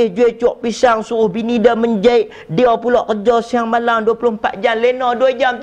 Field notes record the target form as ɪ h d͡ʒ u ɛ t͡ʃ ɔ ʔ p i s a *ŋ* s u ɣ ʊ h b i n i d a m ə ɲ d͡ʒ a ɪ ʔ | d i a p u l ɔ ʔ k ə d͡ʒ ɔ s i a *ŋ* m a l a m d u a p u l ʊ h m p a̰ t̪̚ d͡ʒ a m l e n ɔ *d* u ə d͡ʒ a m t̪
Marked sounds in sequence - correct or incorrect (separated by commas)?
correct, correct, correct